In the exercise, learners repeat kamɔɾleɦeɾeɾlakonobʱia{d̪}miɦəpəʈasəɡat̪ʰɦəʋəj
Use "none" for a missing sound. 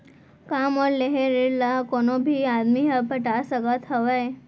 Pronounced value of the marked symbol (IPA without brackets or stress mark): d̪